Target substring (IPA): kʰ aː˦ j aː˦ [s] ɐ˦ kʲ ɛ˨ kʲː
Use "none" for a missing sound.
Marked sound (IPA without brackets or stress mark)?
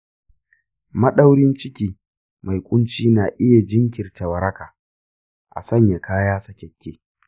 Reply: s